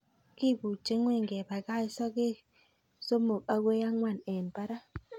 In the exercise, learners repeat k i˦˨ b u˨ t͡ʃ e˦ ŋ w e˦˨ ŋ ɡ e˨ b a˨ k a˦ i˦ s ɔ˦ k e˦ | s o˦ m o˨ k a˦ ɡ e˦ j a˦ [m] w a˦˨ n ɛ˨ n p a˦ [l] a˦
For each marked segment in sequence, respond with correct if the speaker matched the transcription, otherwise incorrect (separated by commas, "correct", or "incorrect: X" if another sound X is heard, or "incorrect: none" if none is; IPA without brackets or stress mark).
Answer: incorrect: ŋ, incorrect: ɾ